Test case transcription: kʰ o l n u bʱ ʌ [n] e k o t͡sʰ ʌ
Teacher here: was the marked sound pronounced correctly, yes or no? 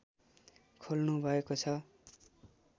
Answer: no